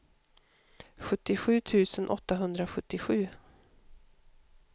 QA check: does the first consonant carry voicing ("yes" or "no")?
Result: no